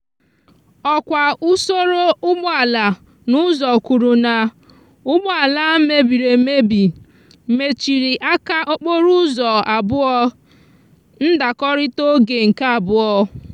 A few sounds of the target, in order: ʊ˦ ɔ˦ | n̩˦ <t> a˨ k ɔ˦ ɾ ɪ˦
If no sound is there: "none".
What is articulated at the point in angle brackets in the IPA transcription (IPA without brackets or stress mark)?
d